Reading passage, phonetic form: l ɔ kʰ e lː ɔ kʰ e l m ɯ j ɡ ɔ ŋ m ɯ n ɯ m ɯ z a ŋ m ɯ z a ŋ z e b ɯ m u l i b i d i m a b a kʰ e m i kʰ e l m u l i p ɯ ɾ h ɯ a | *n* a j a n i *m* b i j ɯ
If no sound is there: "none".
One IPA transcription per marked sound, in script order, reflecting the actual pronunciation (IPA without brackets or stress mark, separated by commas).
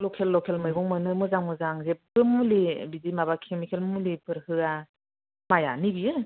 m, none